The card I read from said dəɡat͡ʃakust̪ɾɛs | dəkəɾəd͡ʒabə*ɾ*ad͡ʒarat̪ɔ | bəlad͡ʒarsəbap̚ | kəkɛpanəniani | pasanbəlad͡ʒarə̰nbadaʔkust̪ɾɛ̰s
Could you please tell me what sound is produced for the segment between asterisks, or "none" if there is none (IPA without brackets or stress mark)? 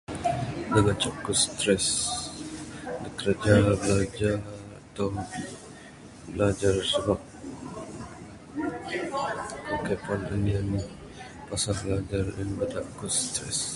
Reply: l